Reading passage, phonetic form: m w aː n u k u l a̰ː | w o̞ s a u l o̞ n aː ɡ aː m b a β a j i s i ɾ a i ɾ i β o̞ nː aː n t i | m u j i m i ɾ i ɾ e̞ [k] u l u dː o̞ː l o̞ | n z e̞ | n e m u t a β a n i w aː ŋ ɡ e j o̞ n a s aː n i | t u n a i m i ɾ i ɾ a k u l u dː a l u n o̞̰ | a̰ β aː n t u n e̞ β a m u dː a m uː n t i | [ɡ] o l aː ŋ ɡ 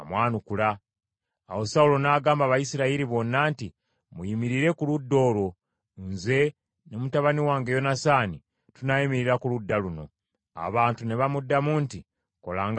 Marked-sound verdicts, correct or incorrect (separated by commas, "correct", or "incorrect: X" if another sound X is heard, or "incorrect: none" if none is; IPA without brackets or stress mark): correct, incorrect: k